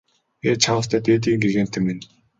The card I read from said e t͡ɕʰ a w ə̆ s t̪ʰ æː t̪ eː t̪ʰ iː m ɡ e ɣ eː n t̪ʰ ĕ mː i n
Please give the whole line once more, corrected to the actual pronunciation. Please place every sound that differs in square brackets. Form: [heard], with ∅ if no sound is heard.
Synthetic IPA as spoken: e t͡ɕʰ a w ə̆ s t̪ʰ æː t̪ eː [t̪] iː [ŋ] ɡ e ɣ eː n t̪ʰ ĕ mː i n